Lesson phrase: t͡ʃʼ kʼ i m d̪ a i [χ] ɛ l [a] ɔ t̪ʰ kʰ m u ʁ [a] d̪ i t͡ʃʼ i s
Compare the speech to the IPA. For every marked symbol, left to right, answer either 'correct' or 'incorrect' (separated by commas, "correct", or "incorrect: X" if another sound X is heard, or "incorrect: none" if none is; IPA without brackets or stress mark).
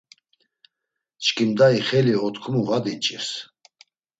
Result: correct, incorrect: i, correct